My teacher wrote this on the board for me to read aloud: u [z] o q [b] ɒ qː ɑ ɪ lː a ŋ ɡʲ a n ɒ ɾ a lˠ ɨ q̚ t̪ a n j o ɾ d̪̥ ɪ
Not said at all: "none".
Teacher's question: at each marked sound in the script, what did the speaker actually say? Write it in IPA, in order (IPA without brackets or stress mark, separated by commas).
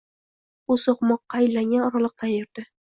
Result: s, m